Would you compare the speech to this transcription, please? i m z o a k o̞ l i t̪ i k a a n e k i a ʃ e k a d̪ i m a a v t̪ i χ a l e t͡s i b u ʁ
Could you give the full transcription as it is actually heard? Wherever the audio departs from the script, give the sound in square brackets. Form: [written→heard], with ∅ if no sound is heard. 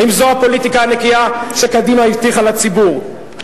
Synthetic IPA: i m z o a [k→p] o̞ l i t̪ i k a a n e k i a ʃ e k a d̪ i m a [a→i] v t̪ i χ a l [e→a] t͡s i b u ʁ